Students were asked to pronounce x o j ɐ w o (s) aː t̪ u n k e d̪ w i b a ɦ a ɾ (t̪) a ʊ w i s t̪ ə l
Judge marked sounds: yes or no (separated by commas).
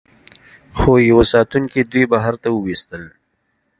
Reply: yes, yes